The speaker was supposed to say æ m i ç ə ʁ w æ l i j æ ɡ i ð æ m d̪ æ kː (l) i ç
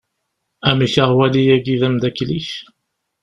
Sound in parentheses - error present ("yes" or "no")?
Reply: no